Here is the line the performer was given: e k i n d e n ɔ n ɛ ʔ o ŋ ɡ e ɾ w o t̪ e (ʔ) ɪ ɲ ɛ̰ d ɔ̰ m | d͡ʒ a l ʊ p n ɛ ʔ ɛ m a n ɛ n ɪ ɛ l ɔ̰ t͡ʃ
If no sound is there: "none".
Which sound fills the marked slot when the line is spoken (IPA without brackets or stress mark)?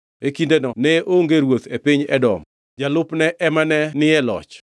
p